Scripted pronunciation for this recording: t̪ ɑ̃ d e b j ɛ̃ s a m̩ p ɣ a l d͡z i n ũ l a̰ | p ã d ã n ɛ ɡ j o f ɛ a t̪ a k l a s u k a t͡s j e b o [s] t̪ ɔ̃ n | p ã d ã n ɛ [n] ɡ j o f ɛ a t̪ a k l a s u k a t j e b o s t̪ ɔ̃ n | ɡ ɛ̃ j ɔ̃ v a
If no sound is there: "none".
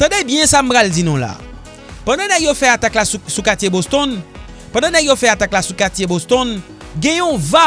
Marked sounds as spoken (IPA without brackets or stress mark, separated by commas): s, none